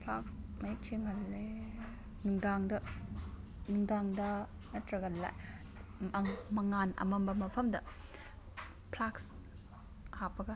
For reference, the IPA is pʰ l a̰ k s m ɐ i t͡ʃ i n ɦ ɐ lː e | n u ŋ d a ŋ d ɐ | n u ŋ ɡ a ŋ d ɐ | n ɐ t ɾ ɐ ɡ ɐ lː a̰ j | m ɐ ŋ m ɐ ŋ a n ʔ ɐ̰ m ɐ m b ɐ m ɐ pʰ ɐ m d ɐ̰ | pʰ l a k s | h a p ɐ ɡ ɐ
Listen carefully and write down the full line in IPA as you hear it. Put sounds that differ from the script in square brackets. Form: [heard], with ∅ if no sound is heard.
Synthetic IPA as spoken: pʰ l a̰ k s m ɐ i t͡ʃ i [ŋ] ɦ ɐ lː e | n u ŋ d a ŋ d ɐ | n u ŋ [d] a ŋ d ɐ | n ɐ t ɾ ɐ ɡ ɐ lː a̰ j | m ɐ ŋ m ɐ ŋ a n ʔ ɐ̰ m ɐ m b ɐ m ɐ pʰ ɐ m d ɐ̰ | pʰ l a k s | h a p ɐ ɡ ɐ

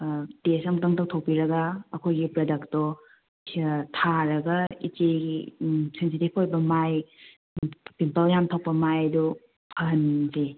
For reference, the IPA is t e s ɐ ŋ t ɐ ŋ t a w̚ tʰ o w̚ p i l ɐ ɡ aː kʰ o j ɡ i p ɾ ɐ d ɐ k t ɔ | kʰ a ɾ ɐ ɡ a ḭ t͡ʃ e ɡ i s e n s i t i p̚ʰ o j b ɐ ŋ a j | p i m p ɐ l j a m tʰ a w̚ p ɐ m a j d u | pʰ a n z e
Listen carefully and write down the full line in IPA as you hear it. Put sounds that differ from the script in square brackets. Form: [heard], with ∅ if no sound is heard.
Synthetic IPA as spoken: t e s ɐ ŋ t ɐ ŋ t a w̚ tʰ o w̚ p i [ɾ] ɐ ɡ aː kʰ o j ɡ i p ɾ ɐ d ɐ k t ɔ | [tʰ] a ɾ ɐ ɡ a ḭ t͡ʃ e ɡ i s e n s i t i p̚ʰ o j b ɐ [m] a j | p i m p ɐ l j a m tʰ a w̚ p ɐ m a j d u | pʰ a n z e

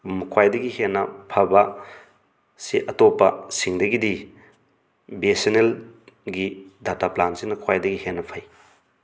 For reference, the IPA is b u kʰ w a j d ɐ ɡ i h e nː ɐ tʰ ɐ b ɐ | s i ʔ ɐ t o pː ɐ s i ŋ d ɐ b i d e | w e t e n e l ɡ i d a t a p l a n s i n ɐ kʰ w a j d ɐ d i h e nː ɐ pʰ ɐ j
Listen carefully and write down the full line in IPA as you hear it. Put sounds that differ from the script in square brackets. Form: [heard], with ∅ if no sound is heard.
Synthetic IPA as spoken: [m] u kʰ w a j d ɐ ɡ i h e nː ɐ [pʰ] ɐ b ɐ | s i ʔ ɐ t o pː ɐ s i ŋ d ɐ [ɡ] i d [i] | [b] e [s] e n e l ɡ i d a t a p l a n s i n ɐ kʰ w a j d ɐ [ɡ] i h e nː ɐ pʰ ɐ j

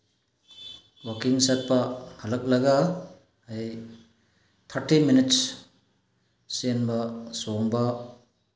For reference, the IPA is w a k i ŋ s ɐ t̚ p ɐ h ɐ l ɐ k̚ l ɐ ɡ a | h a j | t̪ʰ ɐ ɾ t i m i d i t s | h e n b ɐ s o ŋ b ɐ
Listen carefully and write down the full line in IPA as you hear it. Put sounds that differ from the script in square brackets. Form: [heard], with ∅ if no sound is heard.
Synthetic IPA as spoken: w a k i ŋ s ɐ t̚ p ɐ h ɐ l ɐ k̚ l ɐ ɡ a | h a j | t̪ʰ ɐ ɾ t i m i [n] i t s | [s] e n b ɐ s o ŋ b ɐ

